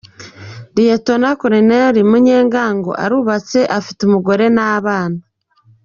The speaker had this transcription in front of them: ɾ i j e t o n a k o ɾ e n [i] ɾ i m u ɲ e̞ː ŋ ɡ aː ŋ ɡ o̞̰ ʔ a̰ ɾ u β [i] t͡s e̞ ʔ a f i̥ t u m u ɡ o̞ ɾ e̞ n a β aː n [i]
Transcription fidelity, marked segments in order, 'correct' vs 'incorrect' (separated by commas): incorrect, incorrect, incorrect